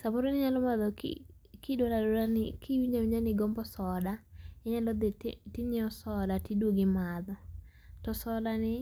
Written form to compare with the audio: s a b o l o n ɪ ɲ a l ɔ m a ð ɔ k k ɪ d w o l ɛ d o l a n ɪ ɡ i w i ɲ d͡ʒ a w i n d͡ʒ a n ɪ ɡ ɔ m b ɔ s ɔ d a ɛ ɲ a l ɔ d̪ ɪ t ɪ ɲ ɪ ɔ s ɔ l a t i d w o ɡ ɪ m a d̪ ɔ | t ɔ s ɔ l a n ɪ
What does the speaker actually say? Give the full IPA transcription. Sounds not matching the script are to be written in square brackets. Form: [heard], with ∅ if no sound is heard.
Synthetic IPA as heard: s a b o [ɾ] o n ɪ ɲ a l ɔ m a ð ɔ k k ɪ d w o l [a] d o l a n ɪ [k] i w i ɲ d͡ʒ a w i [ɲ] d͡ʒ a n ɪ ɡ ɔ m b ɔ s ɔ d a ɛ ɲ a l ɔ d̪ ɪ t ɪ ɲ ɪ ɔ s ɔ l a t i d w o ɡ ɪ m a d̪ ɔ | t ɔ s ɔ l a n ɪ